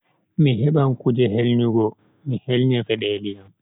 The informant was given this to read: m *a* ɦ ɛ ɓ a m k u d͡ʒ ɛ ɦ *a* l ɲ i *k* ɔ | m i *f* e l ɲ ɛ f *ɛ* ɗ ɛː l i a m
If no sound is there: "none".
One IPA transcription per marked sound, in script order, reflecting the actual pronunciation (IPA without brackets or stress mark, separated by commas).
i, e, ɡ, h, ɛ